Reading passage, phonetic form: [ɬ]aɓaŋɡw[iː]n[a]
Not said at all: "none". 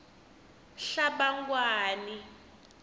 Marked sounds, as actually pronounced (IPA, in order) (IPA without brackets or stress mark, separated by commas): ɬ, aː, i